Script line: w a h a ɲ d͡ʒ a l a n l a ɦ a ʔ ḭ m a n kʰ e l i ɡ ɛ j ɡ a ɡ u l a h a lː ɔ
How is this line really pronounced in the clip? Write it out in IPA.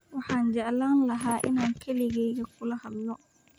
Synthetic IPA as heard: w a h a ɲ d͡ʒ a l a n l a ɦ a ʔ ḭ n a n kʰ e l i ɡ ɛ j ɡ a k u l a h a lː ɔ